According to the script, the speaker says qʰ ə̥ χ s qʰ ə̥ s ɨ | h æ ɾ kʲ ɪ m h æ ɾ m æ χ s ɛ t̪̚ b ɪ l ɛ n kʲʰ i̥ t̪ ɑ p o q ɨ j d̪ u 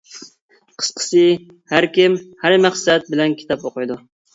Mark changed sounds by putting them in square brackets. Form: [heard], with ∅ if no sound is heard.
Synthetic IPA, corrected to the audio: qʰ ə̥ [∅] s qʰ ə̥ s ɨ | h æ ɾ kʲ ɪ m h æ ɾ m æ χ s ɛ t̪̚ b ɪ l ɛ n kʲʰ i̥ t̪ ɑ p o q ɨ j d̪ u